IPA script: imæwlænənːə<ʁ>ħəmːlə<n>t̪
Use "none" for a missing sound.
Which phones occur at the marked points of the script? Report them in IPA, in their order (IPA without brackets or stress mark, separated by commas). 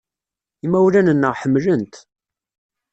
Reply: ʁ, n